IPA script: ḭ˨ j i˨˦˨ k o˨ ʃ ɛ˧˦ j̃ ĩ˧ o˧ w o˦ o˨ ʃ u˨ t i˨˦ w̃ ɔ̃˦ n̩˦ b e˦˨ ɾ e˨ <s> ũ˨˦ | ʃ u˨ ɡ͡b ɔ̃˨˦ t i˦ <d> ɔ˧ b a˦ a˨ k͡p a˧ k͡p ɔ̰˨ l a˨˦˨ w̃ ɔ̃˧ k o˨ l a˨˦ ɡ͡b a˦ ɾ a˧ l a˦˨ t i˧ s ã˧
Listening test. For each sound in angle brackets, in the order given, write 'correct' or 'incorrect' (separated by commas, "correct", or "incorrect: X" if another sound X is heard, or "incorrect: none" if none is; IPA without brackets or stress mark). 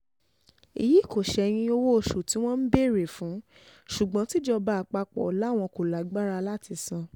incorrect: f, incorrect: d͡ʒ